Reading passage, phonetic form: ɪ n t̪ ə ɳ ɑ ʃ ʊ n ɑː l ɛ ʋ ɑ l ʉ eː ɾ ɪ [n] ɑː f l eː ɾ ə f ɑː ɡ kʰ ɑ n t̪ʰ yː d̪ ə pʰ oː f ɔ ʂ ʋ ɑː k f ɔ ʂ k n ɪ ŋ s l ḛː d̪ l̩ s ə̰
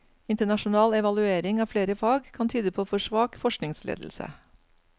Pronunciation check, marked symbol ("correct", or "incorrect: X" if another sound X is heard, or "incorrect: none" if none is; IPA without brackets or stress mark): incorrect: ŋ